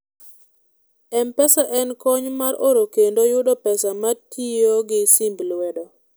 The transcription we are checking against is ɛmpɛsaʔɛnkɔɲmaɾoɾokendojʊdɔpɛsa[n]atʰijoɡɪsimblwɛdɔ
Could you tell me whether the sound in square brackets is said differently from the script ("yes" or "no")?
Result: yes